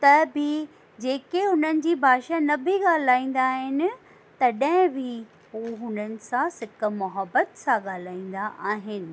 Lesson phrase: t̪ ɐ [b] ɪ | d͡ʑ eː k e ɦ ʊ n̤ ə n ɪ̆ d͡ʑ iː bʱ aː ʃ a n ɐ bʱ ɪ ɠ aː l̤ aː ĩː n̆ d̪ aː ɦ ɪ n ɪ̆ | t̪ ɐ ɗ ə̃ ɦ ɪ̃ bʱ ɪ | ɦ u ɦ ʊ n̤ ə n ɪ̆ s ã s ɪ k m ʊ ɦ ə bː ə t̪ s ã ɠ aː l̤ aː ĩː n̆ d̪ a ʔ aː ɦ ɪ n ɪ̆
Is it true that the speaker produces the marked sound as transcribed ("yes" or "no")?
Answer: yes